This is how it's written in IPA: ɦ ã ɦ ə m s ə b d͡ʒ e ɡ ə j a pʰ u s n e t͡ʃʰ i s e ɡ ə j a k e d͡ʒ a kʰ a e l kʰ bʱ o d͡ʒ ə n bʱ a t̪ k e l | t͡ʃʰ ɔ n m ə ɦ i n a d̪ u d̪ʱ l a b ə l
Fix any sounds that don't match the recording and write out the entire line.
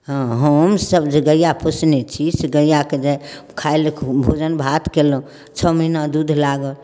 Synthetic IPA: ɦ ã ɦ ə m s ə b d͡ʒ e ɡ ə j a pʰ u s n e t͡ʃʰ i s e ɡ ə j a k e d͡ʒ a kʰ a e l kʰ bʱ o d͡ʒ ə n bʱ a t̪ k e l | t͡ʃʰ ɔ m ə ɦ i n a d̪ u d̪ʱ l a ɡ ə l